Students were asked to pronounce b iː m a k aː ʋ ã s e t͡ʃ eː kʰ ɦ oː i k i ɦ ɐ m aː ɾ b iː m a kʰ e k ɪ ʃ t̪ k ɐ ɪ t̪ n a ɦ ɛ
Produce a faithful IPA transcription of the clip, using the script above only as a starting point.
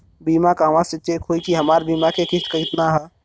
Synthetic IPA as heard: b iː m a k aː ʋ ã s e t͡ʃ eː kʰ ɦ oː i k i ɦ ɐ m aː ɾ b iː m a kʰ e k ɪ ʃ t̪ k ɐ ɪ t̪ n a ɦ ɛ